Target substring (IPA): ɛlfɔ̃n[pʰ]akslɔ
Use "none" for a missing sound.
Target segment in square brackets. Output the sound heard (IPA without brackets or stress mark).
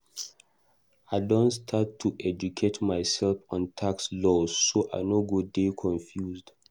tʰ